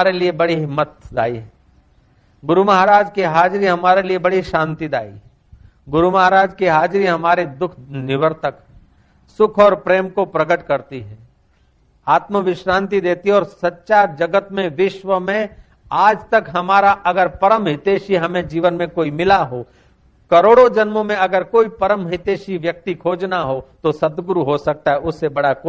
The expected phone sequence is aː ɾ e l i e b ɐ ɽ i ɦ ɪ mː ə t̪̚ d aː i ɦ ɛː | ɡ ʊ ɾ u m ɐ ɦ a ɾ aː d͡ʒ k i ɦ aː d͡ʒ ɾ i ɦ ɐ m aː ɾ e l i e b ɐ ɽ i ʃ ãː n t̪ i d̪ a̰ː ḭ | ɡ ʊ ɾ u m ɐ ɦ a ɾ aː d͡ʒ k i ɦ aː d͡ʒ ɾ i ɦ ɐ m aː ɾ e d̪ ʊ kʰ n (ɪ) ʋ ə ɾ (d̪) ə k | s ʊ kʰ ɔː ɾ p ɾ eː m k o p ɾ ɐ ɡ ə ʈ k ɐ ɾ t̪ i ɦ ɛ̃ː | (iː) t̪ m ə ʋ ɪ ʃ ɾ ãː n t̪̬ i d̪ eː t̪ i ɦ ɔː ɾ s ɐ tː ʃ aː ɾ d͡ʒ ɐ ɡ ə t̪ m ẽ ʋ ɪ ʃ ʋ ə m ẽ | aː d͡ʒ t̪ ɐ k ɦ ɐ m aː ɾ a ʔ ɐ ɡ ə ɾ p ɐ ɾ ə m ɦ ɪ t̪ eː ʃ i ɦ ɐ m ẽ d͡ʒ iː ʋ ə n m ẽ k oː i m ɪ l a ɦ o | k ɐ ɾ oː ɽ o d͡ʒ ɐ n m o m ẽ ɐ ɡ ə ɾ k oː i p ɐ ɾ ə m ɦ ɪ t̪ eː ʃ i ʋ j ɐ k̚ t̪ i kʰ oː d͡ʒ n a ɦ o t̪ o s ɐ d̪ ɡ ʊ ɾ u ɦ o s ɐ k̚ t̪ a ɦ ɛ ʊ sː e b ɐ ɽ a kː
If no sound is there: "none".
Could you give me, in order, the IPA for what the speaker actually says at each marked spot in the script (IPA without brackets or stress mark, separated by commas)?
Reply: ɪ, t̪, aː